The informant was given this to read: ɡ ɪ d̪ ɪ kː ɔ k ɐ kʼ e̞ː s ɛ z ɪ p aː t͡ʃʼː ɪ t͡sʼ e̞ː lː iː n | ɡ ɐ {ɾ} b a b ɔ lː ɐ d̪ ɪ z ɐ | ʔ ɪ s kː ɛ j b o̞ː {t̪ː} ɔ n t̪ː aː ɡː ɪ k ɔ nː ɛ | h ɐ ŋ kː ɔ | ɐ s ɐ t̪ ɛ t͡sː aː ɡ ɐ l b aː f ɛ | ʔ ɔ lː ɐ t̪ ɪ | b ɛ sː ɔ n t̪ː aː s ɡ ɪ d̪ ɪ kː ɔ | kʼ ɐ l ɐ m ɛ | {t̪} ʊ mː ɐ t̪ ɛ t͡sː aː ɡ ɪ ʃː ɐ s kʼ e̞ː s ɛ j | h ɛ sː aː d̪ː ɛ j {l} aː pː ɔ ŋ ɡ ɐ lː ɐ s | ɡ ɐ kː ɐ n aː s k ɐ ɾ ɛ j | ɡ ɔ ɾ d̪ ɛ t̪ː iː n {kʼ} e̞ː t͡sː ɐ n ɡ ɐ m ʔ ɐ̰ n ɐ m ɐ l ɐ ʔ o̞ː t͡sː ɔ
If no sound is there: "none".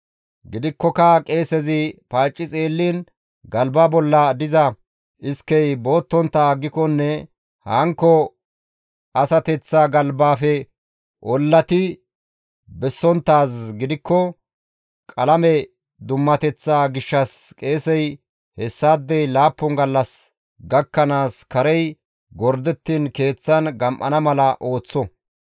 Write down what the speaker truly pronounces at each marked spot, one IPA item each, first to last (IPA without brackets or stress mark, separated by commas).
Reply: l, t̪ː, d̪, l, k